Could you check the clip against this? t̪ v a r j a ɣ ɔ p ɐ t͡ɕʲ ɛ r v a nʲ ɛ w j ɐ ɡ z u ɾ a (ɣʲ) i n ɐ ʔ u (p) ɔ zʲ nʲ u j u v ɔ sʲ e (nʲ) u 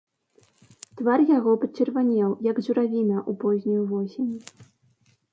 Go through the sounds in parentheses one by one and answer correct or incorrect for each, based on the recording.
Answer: incorrect: vʲ, correct, correct

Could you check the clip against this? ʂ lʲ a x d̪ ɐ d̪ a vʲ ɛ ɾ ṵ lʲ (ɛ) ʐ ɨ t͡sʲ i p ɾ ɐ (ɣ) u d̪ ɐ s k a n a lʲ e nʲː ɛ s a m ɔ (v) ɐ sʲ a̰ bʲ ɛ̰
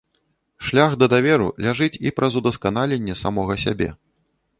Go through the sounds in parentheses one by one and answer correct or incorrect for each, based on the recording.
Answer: incorrect: a, incorrect: z, incorrect: ɣ

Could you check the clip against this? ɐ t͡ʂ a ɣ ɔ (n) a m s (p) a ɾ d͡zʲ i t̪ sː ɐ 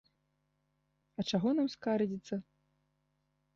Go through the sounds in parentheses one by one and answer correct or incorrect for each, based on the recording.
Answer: correct, incorrect: k

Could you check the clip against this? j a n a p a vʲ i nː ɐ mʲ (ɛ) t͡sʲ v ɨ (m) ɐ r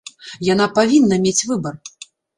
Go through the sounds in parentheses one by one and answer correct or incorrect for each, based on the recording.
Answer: incorrect: e, incorrect: b

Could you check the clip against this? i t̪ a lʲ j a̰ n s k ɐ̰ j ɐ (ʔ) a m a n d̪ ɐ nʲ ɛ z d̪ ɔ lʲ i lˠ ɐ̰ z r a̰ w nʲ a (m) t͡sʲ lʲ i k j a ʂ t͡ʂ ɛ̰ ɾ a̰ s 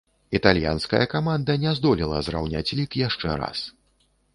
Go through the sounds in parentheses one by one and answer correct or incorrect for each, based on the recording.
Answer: incorrect: k, incorrect: none

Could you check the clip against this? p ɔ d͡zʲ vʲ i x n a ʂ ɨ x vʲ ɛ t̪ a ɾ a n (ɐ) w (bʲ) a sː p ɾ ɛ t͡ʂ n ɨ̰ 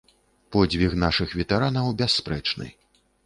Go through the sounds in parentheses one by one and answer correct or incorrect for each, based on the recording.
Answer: correct, correct

